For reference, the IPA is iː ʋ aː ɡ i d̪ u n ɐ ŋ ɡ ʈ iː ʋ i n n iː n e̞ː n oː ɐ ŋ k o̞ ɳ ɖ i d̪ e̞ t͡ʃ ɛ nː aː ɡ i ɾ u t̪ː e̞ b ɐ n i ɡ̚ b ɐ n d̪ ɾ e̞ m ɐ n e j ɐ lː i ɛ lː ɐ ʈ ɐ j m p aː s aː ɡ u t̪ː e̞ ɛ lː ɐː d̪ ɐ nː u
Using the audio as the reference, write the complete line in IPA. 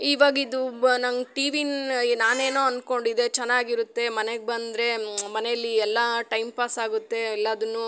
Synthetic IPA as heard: iː ʋ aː ɡ i d̪ u n ɐ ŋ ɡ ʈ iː ʋ i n n aː n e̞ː n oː ɐ n k o̞ ɳ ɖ i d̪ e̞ t͡ʃ ɛ nː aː ɡ i ɾ u t̪ː e̞ m ɐ n e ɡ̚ b ɐ n d̪ ɾ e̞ m ɐ n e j ɐ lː i ɛ lː ɐ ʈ ɐ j m p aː s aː ɡ u t̪ː e̞ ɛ lː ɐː d̪ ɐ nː u

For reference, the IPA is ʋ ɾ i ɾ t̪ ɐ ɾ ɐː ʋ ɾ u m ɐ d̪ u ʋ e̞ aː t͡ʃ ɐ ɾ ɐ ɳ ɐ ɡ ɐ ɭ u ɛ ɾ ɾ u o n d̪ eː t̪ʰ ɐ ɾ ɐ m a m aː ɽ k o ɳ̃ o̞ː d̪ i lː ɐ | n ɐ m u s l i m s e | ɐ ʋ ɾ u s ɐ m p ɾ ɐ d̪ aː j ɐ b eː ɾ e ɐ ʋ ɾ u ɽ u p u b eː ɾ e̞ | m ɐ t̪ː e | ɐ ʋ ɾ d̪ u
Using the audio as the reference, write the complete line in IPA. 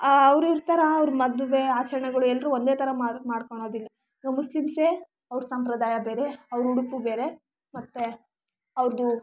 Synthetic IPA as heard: ʋ ɾ i ɾ t̪ ɐ ɾ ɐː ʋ ɾ u m ɐ d̪ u ʋ e̞ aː t͡ʃ ɐ ɾ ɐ ɳ ɐ ɡ ɐ ɭ u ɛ l ɾ u o n d̪ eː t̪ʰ ɐ ɾ ɐ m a m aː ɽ k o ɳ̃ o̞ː d̪ i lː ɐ | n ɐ m u s l i m s e | ɐ ʋ ɾ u s ɐ m p ɾ ɐ d̪ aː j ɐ b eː ɾ e ɐ ʋ ɾ u ɽ u p u b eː ɾ e̞ | m ɐ t̪ː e | ɐ ʋ ɾ d̪ u

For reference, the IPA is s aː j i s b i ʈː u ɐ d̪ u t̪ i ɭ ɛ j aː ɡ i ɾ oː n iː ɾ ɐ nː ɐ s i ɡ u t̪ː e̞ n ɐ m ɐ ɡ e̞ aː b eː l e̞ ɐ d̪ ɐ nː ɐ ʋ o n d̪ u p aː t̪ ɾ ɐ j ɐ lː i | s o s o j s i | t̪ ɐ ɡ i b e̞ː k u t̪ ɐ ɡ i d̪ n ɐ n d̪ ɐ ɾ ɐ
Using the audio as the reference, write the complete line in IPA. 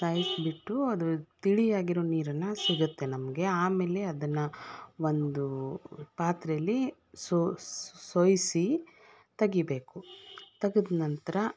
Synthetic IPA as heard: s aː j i s b i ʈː u ɐ d̪ u t̪ i ɭ i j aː ɡ i ɾ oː n iː ɾ ɐ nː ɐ s i ɡ u t̪ː e̞ n ɐ m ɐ ɡ e̞ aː m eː l e̞ ɐ d̪ ɐ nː ɐ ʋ o n d̪ u p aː t̪ ɾ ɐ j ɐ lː i | s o s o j s i | t̪ ɐ ɡ i b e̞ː k u t̪ ɐ ɡ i d̪ n ɐ n t̪ ɐ ɾ ɐ

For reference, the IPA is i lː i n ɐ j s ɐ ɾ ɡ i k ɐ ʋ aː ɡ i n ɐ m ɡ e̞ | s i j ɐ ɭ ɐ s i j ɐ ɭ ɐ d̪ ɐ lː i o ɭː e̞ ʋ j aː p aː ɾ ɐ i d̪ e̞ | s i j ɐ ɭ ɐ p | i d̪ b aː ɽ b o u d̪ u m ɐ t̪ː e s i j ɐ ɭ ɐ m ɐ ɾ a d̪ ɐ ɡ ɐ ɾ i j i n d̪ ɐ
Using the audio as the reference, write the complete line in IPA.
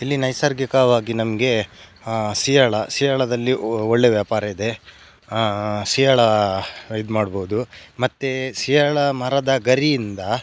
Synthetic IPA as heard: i lː i n ɐ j s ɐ ɾ ɡ i k ɐ ʋ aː ɡ i n ɐ m ɡ e̞ | s i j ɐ ɭ ɐ s i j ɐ ɭ ɐ d̪ ɐ lː i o ɭː e̞ ʋ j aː p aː ɾ ɐ i d̪ e̞ | s i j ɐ ɭ ɐ | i d̪ m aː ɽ b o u d̪ u m ɐ t̪ː e s i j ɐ ɭ ɐ m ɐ ɾ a d̪ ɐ ɡ ɐ ɾ i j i n d̪ ɐ

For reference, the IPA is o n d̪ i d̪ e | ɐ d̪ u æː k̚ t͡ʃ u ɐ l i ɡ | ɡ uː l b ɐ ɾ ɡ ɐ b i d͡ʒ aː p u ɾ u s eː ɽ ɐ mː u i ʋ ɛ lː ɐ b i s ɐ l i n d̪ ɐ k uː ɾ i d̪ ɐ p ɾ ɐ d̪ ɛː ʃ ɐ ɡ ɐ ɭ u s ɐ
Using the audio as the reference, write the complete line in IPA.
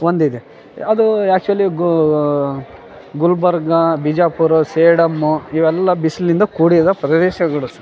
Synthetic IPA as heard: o n d̪ i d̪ e | ɐ d̪ u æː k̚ t͡ʃ u ɐ l i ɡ | ɡ u l b ɐ ɾ ɡ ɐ b i d͡ʒ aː p u ɾ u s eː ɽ ɐ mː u i ʋ ɛ lː ɐ b i s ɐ l i n d̪ ɐ k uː ɽ i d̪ ɐ p ɾ ɐ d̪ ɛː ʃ ɐ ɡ ɐ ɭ u s ɐ

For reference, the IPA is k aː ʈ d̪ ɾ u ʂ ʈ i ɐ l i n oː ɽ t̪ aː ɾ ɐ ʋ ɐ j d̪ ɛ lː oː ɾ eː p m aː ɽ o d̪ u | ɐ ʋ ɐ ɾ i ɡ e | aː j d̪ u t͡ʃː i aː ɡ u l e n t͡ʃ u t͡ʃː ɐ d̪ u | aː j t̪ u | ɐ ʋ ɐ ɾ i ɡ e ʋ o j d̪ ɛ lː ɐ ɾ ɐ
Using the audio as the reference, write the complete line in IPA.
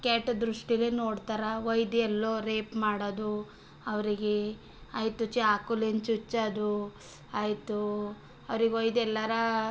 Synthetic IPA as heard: k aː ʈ d̪ ɾ u ʂ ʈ i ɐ l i n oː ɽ t̪ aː ɾ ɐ ʋ ɐ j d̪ ɛ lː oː ɾ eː p m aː ɽ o d̪ u | ɐ ʋ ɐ ɾ i ɡ e | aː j t̪ u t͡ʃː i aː k u l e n t͡ʃ u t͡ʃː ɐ d̪ u | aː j t̪ u | ɐ ʋ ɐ ɾ i ɡ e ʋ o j d̪ ɛ lː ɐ ɾ ɐ

